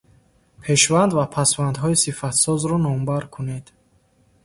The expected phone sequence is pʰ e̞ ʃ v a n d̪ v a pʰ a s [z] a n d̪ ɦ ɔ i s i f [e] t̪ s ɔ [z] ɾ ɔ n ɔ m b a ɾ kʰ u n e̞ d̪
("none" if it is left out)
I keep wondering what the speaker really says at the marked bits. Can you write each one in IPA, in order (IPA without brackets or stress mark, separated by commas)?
v, a, z